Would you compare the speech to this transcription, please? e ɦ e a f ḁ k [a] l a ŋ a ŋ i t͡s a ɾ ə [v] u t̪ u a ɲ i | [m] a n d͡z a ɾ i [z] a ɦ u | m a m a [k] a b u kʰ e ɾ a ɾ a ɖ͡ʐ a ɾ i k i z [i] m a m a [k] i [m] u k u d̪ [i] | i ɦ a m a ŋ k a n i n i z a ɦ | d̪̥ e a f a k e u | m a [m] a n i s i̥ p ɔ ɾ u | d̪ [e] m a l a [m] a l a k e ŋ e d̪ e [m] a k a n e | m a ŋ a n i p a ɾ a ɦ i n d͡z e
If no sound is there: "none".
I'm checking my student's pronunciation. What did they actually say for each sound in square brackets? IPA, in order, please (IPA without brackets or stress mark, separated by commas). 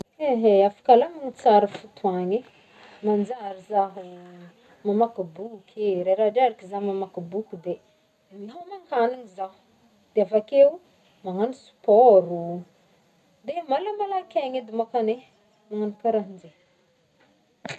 a, f, m, z, k, a, k, b, e, ŋ, e, m, m